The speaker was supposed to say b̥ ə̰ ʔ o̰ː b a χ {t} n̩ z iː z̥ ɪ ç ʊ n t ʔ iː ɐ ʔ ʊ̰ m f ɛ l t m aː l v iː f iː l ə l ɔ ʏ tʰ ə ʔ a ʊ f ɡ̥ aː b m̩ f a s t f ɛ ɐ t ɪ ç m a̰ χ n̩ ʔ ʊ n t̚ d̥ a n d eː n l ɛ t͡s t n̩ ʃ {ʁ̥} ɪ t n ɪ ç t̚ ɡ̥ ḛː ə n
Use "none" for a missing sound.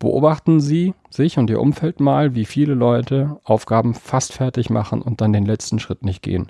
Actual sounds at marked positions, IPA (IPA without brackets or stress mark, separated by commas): t, ʁ̥